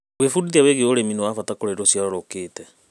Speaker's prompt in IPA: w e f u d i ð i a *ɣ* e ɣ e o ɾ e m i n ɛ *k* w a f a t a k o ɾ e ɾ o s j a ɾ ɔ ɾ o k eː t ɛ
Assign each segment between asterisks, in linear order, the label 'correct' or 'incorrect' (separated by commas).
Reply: incorrect, incorrect